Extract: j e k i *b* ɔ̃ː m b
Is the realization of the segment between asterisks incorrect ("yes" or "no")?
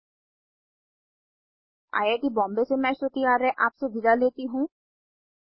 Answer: no